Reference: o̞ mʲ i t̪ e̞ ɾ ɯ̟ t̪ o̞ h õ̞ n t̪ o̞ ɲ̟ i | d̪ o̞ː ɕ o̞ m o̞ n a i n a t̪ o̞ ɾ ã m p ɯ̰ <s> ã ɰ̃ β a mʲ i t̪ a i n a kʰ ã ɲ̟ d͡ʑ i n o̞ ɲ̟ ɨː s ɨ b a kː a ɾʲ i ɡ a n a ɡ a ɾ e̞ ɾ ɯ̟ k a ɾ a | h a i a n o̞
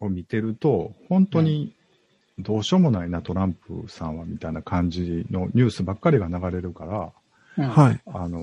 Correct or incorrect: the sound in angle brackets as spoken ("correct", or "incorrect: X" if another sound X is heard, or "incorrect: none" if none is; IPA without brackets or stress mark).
correct